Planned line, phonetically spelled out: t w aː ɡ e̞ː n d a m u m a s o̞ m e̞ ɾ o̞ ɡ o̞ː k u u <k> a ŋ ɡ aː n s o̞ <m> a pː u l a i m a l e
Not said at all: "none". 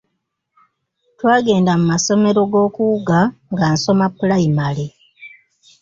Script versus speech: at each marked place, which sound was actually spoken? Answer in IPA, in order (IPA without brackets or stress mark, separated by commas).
ɡ, m